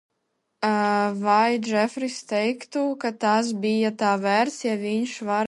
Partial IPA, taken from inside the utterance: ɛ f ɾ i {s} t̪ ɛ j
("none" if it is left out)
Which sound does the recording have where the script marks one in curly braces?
s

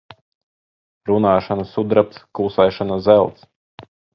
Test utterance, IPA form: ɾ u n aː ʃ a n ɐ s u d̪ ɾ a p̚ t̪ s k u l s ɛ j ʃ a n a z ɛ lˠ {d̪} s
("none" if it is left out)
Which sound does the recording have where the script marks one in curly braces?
t̪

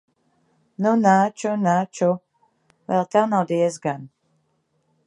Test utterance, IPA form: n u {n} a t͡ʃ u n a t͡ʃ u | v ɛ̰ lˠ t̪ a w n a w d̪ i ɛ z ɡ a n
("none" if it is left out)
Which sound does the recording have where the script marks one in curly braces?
n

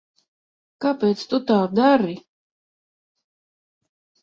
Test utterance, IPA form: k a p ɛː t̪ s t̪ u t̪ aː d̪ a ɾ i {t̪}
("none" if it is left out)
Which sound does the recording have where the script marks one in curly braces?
none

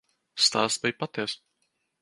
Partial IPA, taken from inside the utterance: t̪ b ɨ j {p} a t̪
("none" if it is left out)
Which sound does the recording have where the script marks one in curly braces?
p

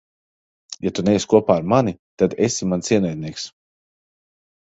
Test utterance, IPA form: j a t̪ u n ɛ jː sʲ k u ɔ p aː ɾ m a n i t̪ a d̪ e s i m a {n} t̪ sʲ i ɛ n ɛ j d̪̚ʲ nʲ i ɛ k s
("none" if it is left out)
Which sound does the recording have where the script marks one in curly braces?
n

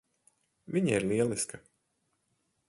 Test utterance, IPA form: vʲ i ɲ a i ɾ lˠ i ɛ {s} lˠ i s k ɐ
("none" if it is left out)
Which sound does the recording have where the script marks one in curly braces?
none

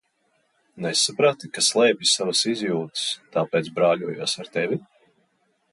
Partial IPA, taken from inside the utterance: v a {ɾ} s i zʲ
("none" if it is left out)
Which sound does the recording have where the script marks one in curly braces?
none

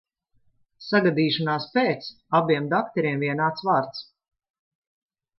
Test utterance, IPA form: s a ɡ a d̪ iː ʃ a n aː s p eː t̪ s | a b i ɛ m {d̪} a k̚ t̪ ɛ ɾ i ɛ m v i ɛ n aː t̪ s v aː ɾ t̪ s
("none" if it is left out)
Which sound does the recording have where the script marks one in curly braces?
d̪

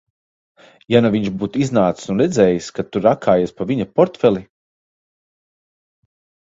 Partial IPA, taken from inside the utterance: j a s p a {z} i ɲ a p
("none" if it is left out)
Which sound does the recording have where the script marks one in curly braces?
v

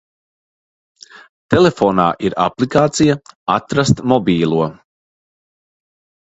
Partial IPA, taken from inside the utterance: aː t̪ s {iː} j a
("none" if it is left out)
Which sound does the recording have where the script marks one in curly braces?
i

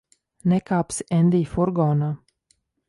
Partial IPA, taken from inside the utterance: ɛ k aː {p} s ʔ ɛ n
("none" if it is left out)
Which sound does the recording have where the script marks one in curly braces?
p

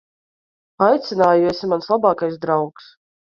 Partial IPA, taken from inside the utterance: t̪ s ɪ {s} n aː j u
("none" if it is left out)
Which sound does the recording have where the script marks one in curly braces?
none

